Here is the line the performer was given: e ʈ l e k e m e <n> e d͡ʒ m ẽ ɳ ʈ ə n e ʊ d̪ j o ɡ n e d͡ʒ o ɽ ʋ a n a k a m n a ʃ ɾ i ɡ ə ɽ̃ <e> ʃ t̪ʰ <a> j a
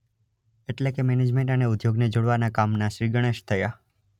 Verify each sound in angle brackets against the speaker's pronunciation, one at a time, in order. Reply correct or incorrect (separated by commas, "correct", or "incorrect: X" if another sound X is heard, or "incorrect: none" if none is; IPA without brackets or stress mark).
correct, correct, incorrect: ə